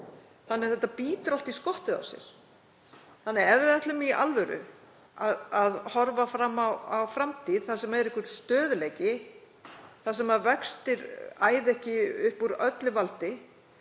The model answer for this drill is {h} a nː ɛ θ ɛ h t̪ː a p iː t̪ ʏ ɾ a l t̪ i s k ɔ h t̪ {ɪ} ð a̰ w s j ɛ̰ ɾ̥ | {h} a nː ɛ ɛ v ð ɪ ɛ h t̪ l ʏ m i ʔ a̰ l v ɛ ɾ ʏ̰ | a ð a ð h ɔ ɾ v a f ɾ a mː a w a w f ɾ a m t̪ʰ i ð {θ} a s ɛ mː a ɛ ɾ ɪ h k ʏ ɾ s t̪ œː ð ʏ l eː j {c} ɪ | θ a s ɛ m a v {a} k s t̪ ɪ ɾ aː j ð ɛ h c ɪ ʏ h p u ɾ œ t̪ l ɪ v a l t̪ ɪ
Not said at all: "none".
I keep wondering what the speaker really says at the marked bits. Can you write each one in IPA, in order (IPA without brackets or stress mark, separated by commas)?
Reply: θ, ɪ, θ, θ, c, ɛ